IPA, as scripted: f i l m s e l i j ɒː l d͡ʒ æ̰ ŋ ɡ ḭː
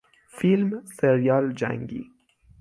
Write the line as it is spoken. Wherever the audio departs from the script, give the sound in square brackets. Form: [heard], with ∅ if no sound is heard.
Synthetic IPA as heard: f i l m s e [ɾ] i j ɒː l d͡ʒ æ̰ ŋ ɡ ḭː